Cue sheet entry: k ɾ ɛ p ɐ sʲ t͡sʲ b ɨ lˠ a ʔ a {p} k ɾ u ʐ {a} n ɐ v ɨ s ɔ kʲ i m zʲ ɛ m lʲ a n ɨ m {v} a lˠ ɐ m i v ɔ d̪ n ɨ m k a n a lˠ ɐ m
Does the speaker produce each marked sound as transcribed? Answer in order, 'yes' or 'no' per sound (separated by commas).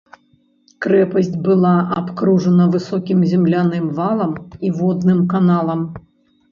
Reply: yes, no, yes